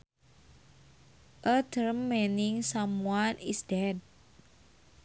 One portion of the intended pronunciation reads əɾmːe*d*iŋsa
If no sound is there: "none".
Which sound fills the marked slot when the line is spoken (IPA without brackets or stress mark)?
n